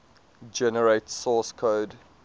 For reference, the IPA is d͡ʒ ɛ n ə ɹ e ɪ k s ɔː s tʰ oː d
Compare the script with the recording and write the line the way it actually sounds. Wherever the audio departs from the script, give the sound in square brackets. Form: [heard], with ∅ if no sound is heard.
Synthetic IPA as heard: d͡ʒ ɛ n ə ɹ e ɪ [t] s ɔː s [kʰ] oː d

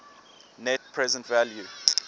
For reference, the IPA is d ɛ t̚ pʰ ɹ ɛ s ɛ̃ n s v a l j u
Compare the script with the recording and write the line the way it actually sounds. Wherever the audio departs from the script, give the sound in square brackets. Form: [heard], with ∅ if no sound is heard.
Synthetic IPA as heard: [n] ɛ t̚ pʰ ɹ ɛ [z] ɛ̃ n [t] v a l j u

